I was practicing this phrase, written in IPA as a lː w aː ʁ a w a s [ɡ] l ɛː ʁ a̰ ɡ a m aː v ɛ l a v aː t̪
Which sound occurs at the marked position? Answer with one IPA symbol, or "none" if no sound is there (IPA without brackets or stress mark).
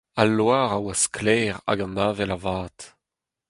k